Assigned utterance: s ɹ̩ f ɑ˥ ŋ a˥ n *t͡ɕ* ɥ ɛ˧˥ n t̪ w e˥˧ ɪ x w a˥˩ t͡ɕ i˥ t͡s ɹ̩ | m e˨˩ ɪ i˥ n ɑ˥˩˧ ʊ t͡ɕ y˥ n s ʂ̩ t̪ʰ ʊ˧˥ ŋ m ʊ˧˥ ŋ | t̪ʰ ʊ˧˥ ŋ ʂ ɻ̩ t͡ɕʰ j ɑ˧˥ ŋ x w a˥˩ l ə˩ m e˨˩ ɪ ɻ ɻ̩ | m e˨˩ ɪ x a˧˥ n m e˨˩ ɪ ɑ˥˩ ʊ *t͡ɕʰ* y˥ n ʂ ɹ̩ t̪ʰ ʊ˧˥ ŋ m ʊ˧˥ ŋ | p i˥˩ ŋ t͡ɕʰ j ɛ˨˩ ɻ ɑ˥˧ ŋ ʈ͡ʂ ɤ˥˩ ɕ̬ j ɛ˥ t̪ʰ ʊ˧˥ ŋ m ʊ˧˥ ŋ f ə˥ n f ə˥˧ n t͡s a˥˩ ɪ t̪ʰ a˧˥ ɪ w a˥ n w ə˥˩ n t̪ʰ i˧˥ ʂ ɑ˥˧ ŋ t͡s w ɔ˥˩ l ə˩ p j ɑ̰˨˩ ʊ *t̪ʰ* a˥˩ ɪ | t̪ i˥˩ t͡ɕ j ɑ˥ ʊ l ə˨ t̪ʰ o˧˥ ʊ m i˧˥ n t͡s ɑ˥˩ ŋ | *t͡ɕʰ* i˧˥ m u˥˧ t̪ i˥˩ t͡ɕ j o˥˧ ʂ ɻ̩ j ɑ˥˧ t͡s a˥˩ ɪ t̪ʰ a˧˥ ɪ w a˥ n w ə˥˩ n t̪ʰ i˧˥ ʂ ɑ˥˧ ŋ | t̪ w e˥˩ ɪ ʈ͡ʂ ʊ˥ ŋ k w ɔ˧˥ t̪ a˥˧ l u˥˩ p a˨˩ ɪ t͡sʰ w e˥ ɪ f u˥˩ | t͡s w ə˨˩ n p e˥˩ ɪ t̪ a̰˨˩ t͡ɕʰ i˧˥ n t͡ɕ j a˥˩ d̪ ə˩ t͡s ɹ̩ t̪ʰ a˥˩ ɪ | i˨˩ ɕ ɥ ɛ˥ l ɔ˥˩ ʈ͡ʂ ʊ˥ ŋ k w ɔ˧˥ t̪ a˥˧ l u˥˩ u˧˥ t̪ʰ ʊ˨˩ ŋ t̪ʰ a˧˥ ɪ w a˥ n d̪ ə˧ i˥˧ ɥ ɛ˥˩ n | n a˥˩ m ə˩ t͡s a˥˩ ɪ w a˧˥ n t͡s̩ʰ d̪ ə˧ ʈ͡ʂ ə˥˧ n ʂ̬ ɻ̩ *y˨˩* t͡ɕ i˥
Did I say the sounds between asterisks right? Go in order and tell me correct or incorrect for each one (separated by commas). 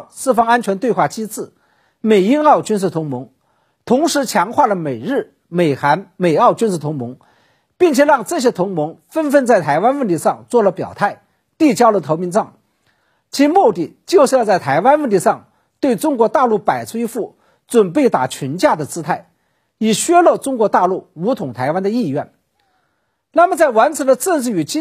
incorrect, incorrect, correct, correct, correct